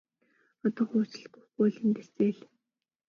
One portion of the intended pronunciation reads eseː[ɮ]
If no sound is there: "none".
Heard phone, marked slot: ɮ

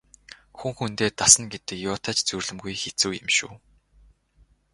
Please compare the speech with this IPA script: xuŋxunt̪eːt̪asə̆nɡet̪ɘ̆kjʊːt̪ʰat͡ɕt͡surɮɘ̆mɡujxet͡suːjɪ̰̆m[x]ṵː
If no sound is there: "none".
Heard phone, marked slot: ʃ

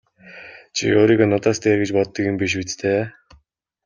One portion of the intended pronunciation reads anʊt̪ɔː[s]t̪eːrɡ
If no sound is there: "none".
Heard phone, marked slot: s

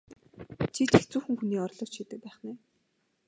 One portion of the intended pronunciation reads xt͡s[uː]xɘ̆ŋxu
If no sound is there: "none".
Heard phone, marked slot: uː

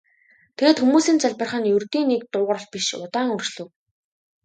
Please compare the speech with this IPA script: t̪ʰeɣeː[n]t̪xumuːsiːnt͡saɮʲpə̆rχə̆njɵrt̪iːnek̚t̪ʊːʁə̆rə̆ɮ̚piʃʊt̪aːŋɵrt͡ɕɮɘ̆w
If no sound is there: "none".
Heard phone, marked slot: none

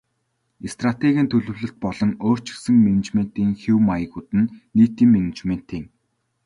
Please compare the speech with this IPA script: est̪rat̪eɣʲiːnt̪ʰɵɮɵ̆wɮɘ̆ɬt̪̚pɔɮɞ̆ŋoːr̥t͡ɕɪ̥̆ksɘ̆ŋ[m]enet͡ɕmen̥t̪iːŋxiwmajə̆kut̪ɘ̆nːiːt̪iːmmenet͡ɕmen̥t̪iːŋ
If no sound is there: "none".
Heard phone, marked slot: m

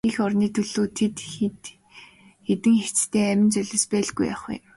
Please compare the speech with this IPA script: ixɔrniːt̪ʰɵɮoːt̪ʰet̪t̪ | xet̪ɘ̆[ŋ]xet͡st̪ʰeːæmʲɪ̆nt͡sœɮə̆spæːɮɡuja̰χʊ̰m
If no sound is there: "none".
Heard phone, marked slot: ŋ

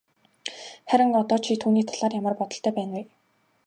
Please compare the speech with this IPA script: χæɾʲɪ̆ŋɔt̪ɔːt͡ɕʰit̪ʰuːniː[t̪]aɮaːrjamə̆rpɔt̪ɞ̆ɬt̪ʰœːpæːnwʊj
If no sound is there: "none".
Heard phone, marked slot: t̪ʰ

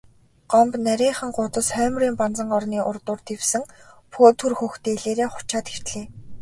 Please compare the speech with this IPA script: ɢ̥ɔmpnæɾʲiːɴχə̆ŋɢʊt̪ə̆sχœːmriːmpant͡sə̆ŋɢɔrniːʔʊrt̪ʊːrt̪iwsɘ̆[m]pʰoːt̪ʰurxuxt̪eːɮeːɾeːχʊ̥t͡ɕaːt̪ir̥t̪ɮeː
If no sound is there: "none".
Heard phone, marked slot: ŋ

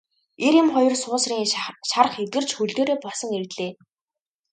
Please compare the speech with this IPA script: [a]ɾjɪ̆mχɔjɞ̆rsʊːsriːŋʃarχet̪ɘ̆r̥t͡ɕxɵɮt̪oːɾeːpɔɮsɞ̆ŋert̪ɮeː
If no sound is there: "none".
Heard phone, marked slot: e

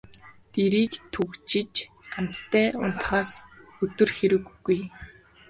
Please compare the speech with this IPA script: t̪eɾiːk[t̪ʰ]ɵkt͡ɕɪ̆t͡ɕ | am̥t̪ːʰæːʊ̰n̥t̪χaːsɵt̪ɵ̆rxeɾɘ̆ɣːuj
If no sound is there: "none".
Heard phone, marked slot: t̪ʰ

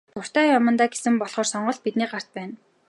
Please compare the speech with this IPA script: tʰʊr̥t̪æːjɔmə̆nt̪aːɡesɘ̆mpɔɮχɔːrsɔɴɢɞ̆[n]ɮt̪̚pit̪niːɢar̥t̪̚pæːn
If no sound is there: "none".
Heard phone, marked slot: none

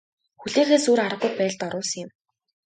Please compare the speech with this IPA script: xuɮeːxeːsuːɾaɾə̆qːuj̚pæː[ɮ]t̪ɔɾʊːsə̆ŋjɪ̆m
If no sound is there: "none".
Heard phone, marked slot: ɮ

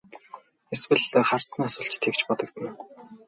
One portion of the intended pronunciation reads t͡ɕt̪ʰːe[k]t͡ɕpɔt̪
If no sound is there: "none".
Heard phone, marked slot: k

